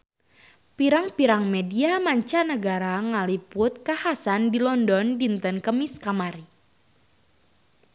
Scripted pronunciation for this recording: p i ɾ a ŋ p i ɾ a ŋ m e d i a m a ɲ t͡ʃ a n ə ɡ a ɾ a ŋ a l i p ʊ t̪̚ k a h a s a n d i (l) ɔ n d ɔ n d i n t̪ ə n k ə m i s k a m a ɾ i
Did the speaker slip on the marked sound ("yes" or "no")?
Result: no